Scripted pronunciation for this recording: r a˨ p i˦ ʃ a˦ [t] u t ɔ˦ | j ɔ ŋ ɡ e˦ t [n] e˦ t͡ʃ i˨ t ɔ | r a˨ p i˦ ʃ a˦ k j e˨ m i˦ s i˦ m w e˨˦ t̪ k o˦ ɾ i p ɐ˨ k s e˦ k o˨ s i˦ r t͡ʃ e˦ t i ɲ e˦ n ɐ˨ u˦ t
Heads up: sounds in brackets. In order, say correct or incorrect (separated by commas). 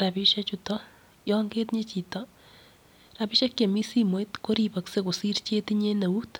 incorrect, incorrect